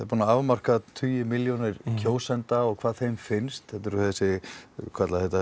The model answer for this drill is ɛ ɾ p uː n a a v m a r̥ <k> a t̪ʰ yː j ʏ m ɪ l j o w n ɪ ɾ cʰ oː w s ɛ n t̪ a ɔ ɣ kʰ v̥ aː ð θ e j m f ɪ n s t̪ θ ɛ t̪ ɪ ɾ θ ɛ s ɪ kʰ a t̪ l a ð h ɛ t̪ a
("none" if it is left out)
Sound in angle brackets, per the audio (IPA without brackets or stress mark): k